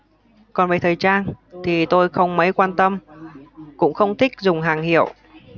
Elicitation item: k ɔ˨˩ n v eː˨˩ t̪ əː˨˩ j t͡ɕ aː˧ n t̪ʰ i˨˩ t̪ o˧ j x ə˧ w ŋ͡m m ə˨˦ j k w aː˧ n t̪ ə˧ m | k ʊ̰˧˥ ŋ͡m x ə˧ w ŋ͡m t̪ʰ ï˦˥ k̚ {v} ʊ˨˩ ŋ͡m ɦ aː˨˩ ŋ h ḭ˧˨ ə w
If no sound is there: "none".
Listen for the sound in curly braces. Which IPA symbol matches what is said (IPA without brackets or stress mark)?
z